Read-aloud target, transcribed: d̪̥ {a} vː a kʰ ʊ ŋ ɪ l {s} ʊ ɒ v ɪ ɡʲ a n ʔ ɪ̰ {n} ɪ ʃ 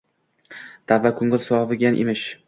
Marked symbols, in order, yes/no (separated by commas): yes, yes, no